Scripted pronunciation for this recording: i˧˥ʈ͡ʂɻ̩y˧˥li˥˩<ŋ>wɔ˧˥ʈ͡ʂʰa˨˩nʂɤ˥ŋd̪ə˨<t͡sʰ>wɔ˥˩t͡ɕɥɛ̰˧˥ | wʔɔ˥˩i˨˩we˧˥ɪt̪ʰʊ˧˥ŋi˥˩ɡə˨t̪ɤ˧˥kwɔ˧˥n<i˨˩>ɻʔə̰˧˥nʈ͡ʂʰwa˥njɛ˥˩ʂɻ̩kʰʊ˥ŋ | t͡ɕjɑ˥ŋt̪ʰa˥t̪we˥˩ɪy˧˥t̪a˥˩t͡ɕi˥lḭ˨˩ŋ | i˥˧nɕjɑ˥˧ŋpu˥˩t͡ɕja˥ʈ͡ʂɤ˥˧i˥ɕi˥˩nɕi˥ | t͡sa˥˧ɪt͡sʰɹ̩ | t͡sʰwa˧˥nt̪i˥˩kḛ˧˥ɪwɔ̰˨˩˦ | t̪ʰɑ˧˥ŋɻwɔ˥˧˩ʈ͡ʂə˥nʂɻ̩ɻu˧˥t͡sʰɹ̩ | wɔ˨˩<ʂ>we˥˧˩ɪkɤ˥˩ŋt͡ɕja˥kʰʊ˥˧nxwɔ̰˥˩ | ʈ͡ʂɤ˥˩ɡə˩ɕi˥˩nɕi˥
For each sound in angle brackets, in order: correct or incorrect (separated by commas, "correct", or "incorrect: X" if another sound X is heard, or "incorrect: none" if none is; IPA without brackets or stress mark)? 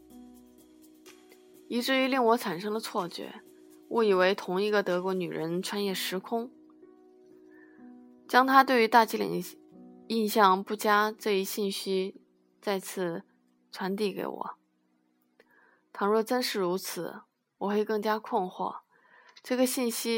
correct, correct, incorrect: y˨˩, incorrect: x